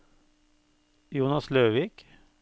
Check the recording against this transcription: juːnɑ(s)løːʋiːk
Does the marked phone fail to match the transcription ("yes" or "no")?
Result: no